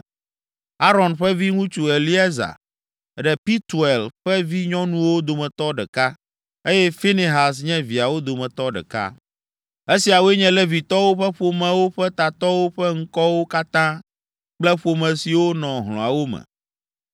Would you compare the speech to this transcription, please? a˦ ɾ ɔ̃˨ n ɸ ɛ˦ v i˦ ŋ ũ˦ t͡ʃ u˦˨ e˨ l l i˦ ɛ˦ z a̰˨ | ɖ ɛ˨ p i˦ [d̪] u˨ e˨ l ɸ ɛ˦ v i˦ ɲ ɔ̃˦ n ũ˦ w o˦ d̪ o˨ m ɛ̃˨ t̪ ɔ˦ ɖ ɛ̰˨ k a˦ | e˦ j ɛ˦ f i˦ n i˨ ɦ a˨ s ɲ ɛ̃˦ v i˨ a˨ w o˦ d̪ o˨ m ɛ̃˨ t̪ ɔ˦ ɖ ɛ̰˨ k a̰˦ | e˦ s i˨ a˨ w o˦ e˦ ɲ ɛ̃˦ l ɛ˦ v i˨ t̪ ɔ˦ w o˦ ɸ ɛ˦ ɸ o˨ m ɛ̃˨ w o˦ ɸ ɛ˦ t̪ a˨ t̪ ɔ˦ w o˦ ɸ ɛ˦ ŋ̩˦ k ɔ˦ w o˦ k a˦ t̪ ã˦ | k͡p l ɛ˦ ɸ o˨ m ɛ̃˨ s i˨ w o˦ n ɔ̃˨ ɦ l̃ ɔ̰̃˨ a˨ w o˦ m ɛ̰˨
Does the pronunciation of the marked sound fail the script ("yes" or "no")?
yes